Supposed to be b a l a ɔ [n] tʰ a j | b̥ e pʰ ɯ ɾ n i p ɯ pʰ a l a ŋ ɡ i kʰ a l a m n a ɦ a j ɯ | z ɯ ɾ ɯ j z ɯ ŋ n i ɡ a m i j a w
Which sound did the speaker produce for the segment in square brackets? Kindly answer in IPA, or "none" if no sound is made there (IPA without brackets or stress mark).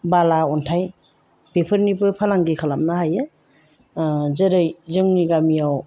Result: n